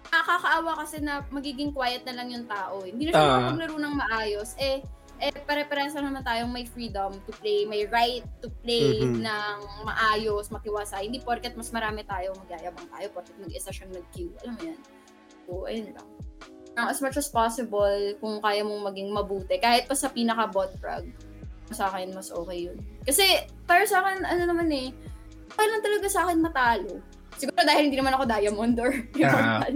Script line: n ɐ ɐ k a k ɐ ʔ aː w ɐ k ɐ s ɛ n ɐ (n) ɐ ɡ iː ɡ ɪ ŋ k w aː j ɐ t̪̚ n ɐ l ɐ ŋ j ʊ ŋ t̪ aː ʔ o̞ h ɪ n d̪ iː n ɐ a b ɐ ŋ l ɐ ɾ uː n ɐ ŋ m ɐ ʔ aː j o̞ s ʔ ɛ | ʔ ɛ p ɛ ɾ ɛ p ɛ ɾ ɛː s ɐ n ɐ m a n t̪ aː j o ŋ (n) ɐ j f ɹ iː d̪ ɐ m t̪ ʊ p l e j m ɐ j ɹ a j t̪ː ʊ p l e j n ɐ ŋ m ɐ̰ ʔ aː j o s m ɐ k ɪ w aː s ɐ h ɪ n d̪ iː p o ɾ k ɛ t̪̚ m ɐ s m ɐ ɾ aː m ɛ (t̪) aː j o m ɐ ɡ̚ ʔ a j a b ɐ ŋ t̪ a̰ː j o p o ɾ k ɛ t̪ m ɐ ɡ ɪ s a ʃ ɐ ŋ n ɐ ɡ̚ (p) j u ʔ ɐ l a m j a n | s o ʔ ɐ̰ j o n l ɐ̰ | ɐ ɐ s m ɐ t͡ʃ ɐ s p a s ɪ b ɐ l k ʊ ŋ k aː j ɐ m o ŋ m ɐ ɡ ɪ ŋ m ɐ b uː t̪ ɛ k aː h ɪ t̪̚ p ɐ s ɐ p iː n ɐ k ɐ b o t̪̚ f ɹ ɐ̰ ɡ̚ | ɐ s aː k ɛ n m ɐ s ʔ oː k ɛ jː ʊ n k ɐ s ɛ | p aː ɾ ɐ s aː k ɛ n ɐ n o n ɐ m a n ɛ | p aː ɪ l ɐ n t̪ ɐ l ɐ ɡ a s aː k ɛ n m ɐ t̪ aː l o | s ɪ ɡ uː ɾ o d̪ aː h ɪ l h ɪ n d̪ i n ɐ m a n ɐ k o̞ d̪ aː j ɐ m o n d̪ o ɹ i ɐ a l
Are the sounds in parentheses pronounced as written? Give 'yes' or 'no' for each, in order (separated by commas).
no, no, yes, no